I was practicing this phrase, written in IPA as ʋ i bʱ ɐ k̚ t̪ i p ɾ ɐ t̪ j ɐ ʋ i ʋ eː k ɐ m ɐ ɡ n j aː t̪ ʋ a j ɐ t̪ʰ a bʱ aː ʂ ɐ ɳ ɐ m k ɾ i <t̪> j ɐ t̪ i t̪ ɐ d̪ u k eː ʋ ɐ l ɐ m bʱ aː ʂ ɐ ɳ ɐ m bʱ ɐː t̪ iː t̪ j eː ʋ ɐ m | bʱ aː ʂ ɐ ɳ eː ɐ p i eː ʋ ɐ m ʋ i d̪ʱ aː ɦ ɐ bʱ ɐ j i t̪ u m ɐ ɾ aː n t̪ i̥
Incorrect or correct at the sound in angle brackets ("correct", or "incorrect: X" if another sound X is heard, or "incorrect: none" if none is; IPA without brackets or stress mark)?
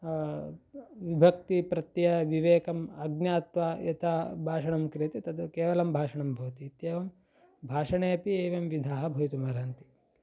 incorrect: none